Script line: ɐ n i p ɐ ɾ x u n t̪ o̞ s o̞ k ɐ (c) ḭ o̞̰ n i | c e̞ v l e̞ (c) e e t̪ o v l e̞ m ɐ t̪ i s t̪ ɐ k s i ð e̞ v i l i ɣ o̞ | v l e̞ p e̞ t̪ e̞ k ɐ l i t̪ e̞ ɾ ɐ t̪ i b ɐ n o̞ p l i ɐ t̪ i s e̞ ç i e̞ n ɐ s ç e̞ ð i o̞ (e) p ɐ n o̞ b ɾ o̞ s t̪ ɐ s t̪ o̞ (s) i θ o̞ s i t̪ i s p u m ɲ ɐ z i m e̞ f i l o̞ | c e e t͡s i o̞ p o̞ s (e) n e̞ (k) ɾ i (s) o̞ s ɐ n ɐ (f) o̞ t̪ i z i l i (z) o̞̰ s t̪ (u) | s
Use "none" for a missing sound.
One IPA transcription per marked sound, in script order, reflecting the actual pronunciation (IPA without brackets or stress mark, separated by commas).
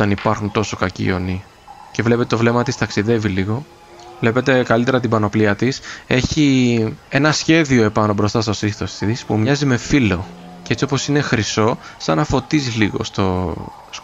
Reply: c, p, e, s, i, x, s, f, ɣ, o